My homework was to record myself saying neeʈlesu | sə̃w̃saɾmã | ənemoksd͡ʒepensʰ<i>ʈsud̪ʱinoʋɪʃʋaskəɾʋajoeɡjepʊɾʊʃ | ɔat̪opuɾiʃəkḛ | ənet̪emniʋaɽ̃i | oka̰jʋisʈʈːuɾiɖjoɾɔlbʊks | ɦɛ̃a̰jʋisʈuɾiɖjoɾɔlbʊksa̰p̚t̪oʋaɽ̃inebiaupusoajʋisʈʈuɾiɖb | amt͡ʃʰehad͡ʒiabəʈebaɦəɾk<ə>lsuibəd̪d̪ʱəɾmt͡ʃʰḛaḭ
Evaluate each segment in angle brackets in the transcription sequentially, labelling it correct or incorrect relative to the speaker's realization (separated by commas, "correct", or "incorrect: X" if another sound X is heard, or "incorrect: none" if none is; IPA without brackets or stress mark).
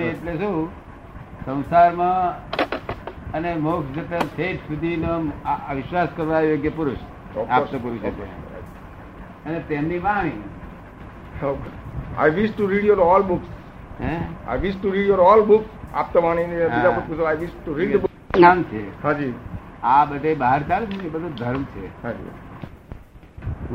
incorrect: e, incorrect: a